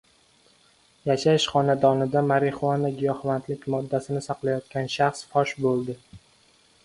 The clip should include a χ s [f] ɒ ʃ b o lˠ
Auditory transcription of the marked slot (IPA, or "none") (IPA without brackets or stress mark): f